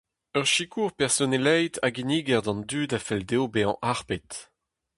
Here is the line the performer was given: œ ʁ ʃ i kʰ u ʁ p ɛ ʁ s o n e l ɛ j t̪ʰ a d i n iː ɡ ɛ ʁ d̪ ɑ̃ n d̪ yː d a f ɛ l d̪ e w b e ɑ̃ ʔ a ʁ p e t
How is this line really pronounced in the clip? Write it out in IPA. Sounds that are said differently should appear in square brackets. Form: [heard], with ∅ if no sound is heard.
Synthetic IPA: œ ʁ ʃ i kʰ u ʁ p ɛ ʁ s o n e l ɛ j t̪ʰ a [ɡ] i n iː ɡ ɛ ʁ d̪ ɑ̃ n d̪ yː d a f ɛ l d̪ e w b e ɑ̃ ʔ a ʁ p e t